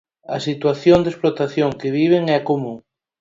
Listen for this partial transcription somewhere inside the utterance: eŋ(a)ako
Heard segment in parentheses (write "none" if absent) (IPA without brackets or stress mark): ɛ